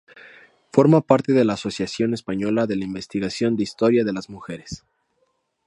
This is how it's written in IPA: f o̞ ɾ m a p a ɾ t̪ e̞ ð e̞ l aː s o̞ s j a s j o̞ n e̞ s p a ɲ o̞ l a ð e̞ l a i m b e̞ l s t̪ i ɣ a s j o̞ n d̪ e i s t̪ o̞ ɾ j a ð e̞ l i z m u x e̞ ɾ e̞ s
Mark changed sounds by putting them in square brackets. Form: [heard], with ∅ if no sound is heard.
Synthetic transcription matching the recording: f o̞ ɾ m a p a ɾ t̪ e̞ ð e̞ l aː s o̞ s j a s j o̞ n e̞ s p a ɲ o̞ l a ð e̞ l a i m b e̞ [∅] s t̪ i ɣ a s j o̞ n d̪ e i s t̪ o̞ ɾ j a ð e̞ l [a] z m u x e̞ ɾ e̞ s

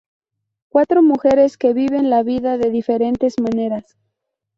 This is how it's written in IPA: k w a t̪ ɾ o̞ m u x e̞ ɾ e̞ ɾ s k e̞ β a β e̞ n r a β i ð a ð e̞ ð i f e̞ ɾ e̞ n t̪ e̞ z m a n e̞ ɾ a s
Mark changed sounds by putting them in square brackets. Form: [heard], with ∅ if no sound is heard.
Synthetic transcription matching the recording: k w a t̪ ɾ o̞ m u x e̞ ɾ e̞ [∅] s k e̞ β [i] β e̞ n [l] a β i ð a ð e̞ ð i f e̞ ɾ e̞ n t̪ e̞ z m a n e̞ ɾ a s

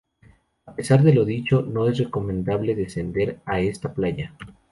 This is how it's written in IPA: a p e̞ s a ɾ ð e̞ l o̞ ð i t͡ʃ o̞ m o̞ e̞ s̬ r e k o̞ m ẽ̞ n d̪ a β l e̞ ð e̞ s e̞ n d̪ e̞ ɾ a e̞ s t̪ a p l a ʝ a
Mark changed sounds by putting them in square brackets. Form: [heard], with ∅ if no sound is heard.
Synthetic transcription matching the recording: a p e̞ s a ɾ ð e̞ l o̞ ð i t͡ʃ o̞ [n] o̞ e̞ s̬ r e k o̞ m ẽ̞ n d̪ a β l e̞ ð e̞ s e̞ n d̪ e̞ ɾ a e̞ s t̪ a p l a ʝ a

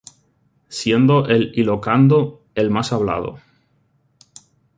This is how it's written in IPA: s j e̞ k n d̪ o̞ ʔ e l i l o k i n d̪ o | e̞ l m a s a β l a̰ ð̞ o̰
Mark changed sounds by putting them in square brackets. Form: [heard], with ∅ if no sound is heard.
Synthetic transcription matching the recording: s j e̞ [∅] n d̪ o̞ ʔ e l i l o k [a] n d̪ o | e̞ l m a s a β l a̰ ð̞ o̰

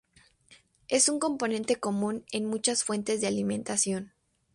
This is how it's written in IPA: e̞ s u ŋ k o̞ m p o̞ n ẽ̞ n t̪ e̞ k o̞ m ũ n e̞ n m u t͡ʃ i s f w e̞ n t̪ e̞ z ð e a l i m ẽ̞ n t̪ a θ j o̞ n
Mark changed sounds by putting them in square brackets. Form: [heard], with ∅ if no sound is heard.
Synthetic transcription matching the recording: e̞ s u ŋ k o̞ m p o̞ n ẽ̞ n t̪ e̞ k o̞ m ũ n e̞ n m u t͡ʃ [a] s f w e̞ n t̪ e̞ z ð e a l i m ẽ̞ n t̪ a [s] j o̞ n

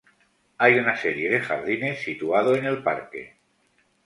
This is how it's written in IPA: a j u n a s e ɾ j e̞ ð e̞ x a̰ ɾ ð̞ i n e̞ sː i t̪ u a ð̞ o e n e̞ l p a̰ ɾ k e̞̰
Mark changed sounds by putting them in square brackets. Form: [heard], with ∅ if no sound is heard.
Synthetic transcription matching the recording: a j u n a s e ɾ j e̞ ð e̞ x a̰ ɾ ð̞ i n e̞ sː i t̪ u a ð̞ o e n e̞ l p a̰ ɾ k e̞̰

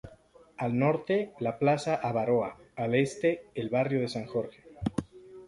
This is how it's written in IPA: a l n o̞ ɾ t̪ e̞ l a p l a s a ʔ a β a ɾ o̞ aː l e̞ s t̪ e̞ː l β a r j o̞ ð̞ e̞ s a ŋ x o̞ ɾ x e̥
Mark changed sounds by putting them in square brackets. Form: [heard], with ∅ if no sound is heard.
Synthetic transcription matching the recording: a l n o̞ ɾ t̪ e̞ l a p l a s a ʔ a β a ɾ o̞ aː l e̞ s t̪ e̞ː l β a r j o̞ ð̞ e̞ s a ŋ x o̞ ɾ x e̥

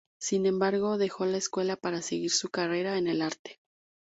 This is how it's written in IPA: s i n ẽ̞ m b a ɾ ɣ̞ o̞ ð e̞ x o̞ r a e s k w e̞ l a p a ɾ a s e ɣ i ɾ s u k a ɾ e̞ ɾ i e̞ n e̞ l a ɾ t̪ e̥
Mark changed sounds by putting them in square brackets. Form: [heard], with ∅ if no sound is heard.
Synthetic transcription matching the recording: s i n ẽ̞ m b a ɾ ɣ̞ o̞ ð e̞ x o̞ [l] a e s k w e̞ l a p a ɾ a s e ɣ i ɾ s u k a [r] e̞ ɾ [a] e̞ n e̞ l a ɾ t̪ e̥

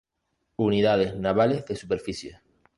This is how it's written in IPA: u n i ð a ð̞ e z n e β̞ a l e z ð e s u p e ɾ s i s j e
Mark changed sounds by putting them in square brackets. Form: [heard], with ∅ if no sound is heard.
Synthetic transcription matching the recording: u n i ð a ð̞ e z n [a] β̞ a l e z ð e s u p e ɾ [f] i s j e

